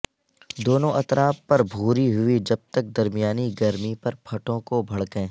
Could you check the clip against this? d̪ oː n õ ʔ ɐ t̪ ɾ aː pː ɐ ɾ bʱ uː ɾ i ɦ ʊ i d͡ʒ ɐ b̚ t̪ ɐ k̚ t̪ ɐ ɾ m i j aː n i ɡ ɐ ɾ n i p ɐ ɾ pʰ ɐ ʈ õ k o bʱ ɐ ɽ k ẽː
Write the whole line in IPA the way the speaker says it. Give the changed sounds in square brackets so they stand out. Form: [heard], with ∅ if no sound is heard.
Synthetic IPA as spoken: d̪ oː n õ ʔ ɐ t̪ ɾ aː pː ɐ ɾ bʱ uː ɾ i ɦ ʊ i d͡ʒ ɐ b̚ t̪ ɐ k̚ [d̪] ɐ ɾ m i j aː n i ɡ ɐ ɾ [m] i p ɐ ɾ pʰ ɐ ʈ õ k o bʱ ɐ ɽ k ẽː

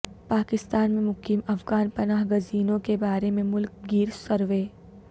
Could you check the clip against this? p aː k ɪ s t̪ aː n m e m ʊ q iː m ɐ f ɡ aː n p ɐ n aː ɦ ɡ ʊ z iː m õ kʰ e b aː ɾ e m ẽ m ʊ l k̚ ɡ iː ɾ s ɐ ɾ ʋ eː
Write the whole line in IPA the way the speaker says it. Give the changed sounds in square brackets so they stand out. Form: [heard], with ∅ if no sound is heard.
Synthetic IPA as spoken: p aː k ɪ s t̪ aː n m [ẽ] m ʊ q iː m ɐ f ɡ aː n p ɐ n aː ɦ ɡ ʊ z iː [n] õ [k] e b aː ɾ e m ẽ m ʊ l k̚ ɡ iː ɾ s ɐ ɾ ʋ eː

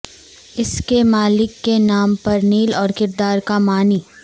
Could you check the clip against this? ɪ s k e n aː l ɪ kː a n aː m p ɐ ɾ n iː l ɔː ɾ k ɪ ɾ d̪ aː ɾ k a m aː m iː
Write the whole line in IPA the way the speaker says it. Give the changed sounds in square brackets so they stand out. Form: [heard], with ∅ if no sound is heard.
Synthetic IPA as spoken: ɪ s k e [m] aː l ɪ kː [e] n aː m p ɐ ɾ n iː l ɔː ɾ k ɪ ɾ d̪ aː ɾ k a m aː [n] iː

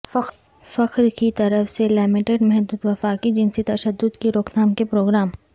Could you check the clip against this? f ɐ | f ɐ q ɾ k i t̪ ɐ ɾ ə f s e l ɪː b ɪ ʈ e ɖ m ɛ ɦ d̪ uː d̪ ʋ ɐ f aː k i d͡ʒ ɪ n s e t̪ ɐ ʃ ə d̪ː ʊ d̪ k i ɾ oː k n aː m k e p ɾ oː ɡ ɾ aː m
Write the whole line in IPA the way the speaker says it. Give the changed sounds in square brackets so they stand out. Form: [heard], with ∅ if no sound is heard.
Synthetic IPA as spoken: f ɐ | f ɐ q ɾ k i t̪ ɐ ɾ ə f s e l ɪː [m] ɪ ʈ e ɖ m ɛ ɦ d̪ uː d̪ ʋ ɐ f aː k i d͡ʒ ɪ n s e t̪ ɐ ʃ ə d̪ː ʊ d̪ k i ɾ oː k n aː m k e p ɾ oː ɡ ɾ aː m

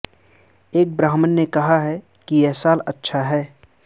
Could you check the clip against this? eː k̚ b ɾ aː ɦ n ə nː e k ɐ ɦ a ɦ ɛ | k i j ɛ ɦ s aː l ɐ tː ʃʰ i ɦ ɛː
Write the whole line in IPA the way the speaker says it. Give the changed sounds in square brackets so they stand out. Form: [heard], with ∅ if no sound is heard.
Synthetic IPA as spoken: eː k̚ b ɾ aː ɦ [m] ə nː e k ɐ ɦ a ɦ ɛ | k i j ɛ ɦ s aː l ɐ tː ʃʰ [a] ɦ ɛː

